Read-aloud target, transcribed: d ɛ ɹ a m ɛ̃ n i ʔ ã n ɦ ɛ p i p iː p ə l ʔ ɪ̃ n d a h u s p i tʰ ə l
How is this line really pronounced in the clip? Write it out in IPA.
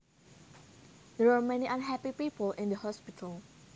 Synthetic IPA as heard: d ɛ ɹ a m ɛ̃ n i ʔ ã n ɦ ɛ p i p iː p ə l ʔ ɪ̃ n d ə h ɔ s p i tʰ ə l